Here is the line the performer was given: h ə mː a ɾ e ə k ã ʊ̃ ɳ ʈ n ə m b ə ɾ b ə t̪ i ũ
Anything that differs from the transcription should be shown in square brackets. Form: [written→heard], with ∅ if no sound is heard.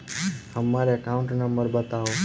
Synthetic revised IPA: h ə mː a ɾ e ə k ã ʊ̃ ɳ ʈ n ə m b ə ɾ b ə t̪ [i→a] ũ